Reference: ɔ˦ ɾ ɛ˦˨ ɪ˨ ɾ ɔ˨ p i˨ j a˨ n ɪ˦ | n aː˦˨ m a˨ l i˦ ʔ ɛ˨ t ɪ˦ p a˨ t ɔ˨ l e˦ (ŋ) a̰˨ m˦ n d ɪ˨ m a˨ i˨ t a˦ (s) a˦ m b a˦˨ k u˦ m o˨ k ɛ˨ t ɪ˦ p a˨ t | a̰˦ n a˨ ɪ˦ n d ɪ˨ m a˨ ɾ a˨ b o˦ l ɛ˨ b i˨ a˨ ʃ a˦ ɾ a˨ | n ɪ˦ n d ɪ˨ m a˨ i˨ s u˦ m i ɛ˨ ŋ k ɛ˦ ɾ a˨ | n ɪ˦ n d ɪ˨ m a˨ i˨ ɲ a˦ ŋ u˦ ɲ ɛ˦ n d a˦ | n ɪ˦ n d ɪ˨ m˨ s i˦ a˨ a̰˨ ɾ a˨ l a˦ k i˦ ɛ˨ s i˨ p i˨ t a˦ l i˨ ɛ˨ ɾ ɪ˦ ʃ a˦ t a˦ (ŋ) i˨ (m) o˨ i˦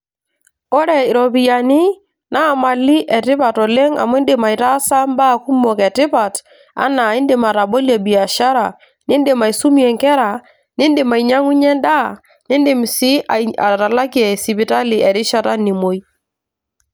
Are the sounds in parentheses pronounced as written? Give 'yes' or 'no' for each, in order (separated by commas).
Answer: yes, yes, no, yes